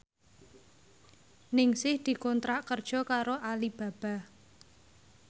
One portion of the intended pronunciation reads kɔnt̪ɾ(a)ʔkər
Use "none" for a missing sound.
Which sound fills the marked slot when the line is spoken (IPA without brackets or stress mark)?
a